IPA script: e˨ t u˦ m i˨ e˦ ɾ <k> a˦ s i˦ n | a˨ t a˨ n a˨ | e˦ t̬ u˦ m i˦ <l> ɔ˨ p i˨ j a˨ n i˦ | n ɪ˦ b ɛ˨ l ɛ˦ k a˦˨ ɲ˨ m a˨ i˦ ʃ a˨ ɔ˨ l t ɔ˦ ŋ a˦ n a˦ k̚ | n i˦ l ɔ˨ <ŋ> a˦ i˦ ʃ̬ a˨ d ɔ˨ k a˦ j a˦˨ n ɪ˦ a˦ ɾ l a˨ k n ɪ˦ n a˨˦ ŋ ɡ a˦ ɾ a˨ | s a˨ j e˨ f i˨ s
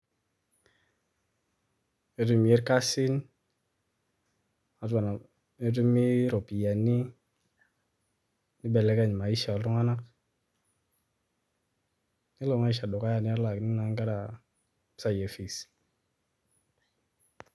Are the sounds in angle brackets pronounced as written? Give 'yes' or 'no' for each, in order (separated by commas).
yes, no, yes